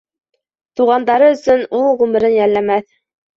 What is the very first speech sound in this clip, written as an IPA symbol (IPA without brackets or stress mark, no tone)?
t̪